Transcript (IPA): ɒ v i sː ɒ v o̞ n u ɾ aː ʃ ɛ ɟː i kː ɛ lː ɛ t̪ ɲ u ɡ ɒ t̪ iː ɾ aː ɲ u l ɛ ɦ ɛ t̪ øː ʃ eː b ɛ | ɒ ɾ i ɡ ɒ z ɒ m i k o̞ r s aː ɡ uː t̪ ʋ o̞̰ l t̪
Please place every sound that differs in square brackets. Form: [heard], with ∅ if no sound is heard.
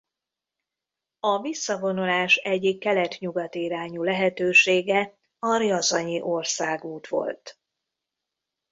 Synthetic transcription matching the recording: ɒ v i sː ɒ v o̞ n u [l] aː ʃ ɛ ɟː i kː ɛ [l] ɛ t̪ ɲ u ɡ ɒ t̪ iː ɾ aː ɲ u l ɛ ɦ ɛ t̪ øː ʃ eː [ɡ] ɛ | ɒ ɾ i [∅] ɒ z ɒ [ɲ] i [ʔ] o̞ r s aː ɡ uː t̪ ʋ o̞̰ l t̪